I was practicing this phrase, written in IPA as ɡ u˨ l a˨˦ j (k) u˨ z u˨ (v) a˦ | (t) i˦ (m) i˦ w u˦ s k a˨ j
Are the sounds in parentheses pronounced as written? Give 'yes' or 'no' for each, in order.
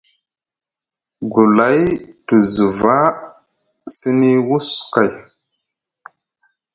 no, yes, no, no

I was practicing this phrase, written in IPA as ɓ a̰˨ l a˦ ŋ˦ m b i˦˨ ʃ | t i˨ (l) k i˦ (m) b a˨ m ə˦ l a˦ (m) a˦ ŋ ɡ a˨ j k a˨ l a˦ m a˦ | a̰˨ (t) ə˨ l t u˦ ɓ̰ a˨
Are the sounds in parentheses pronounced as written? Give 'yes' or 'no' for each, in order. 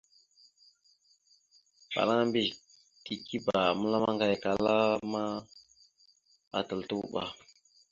no, no, yes, yes

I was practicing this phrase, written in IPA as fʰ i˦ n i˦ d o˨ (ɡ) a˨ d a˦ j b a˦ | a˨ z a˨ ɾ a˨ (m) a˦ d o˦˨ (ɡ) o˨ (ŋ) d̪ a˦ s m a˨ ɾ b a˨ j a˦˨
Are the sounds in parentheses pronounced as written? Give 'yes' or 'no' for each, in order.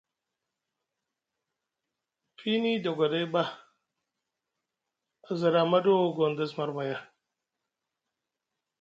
yes, yes, yes, no

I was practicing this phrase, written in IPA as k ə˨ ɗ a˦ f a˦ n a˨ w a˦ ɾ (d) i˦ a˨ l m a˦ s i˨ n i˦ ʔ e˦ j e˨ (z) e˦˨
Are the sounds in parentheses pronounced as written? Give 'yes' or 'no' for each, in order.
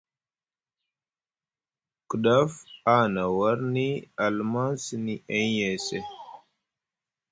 no, no

